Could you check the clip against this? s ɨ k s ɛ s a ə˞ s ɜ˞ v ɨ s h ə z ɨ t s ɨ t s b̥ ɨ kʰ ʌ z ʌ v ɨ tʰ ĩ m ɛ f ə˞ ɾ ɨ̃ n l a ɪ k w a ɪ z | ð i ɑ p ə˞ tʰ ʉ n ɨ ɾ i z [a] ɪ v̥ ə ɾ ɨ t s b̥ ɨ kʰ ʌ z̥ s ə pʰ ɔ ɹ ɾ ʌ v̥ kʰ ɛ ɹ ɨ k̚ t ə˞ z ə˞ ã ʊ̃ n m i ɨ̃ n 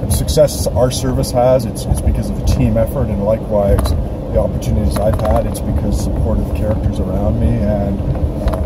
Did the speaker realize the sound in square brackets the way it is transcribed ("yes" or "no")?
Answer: yes